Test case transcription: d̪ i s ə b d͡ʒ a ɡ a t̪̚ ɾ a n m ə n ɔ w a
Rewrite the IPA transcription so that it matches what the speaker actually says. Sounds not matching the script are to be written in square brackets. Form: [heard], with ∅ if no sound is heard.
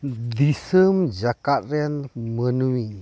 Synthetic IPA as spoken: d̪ i s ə [m] d͡ʒ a [k] a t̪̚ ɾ [ɛ] n m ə n [u] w [i]